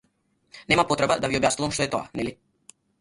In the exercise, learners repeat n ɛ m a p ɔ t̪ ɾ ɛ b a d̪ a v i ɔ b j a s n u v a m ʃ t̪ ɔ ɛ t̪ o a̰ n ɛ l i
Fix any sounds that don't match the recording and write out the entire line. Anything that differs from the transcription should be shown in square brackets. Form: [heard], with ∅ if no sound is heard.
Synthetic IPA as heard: n ɛ m a p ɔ t̪ ɾ ɛ b a d̪ a v i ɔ b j a s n u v a m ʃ t̪ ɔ ɛ t̪ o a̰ n ɛ l i

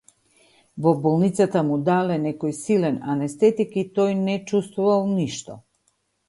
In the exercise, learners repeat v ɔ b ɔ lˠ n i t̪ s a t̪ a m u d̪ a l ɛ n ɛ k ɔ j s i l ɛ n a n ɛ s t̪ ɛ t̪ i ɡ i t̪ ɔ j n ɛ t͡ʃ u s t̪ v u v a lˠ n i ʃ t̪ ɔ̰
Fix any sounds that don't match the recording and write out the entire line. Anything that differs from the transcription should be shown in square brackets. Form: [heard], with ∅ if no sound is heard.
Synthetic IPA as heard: v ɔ b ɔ lˠ n i t̪ s a t̪ a m u d̪ a l ɛ n ɛ k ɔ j s i l ɛ n a n ɛ s t̪ ɛ t̪ i [k] i t̪ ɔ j n ɛ t͡ʃ u s t̪ v u v a lˠ n i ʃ t̪ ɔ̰

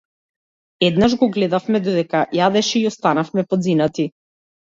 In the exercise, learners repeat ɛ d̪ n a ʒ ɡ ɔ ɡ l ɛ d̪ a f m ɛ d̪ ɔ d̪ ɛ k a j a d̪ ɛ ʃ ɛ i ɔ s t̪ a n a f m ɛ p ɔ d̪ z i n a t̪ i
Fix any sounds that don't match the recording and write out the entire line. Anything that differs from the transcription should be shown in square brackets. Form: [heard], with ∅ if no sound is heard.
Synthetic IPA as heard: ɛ d̪ n a ʒ ɡ ɔ ɡ l ɛ d̪ a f m ɛ d̪ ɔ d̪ ɛ k a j a d̪ ɛ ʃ ɛ i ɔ s t̪ a n a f m ɛ p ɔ d̪ z i n a t̪ i

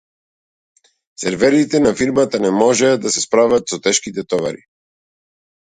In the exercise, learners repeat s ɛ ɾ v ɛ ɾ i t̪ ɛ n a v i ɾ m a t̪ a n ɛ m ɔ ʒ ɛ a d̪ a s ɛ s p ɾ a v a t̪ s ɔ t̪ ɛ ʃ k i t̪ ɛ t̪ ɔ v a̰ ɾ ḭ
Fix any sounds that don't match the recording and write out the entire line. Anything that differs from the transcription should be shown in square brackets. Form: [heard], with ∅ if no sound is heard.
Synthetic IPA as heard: s ɛ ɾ v ɛ ɾ i t̪ ɛ n a [f] i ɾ m a t̪ a n ɛ m ɔ ʒ ɛ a d̪ a s ɛ s p ɾ a v a t̪ s ɔ t̪ ɛ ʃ k i t̪ ɛ t̪ ɔ v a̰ ɾ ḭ

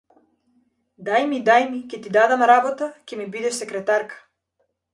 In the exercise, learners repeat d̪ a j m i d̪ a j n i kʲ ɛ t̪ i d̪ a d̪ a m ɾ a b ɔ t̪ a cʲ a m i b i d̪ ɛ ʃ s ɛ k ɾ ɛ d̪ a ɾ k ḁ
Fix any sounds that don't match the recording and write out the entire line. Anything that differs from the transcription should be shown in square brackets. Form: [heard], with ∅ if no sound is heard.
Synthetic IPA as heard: d̪ a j m i d̪ a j [m] i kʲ ɛ t̪ i d̪ a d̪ a m ɾ a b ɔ t̪ a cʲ [ɛ] m i b i d̪ ɛ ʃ s ɛ k ɾ ɛ [t̪] a ɾ k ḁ

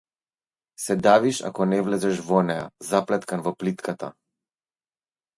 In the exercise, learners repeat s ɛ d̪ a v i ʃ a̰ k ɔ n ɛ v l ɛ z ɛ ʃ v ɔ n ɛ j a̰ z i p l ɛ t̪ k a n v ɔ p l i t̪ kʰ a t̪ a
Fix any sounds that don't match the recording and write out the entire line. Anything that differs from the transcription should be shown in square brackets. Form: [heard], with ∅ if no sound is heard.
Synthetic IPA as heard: s ɛ d̪ a v i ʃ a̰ k ɔ n ɛ v l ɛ z ɛ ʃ v ɔ n ɛ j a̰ z [a] p l ɛ t̪ k a n v ɔ p l i t̪ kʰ a t̪ a

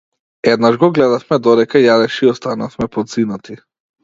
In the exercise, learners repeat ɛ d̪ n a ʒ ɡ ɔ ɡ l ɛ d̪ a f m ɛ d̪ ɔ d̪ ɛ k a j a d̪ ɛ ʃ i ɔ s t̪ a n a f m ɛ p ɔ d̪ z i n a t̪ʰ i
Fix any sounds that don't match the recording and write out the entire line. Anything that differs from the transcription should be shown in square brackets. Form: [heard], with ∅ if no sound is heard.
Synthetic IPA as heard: ɛ d̪ n a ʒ ɡ ɔ ɡ l ɛ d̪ a f m ɛ d̪ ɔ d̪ ɛ k a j a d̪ ɛ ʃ i ɔ s t̪ a n a f m ɛ p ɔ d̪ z i n a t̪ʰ i

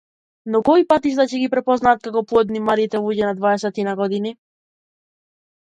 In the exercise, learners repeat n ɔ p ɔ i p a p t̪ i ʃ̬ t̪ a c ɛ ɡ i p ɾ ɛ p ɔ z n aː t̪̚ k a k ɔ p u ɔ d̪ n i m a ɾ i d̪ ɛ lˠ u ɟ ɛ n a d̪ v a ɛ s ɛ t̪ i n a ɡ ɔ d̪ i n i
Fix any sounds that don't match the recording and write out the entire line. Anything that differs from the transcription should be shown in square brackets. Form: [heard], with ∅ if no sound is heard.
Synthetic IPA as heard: n ɔ [k] ɔ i p a [∅] t̪ i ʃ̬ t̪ a c ɛ ɡ i p ɾ ɛ p ɔ z n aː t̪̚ k a k ɔ p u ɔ d̪ n i m a ɾ i [t̪] ɛ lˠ u ɟ ɛ n a d̪ v a ɛ s ɛ t̪ i n a ɡ ɔ d̪ i n i

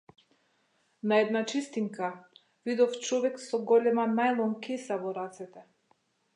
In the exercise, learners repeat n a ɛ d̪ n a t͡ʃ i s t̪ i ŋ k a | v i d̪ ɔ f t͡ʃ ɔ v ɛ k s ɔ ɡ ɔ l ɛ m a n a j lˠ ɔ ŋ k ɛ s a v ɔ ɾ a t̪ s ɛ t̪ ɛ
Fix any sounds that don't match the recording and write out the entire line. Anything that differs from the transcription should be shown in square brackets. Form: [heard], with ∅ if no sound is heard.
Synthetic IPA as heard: n a ɛ d̪ n a t͡ʃ i s t̪ i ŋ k a | v i d̪ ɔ f t͡ʃ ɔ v ɛ k s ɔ ɡ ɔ l ɛ m a n a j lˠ ɔ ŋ k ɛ s a v ɔ ɾ a t̪ s ɛ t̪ ɛ

